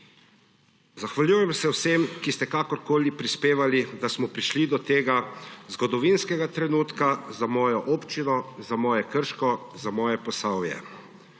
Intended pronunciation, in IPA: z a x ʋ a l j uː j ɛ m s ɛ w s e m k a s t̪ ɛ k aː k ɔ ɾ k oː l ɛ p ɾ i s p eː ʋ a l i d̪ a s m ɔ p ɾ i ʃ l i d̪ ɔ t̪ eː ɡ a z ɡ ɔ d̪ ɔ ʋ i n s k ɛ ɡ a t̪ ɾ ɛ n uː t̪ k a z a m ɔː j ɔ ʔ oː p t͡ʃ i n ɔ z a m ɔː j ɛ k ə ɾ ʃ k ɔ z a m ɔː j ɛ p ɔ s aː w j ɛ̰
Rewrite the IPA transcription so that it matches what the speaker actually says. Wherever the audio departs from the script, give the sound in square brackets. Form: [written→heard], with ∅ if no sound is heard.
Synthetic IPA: z a x ʋ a l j uː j ɛ m s ɛ w s e m k [a→i] s t̪ ɛ k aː k ɔ ɾ k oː l [ɛ→i] p ɾ i s p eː ʋ a l i d̪ a s m ɔ p ɾ i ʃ l i d̪ ɔ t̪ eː ɡ a z ɡ ɔ d̪ ɔ ʋ i n s k ɛ ɡ a t̪ ɾ ɛ n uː t̪ k a z a m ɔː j ɔ ʔ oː p t͡ʃ i n ɔ z a m ɔː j ɛ k ə ɾ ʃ k ɔ z a m ɔː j ɛ p ɔ s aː w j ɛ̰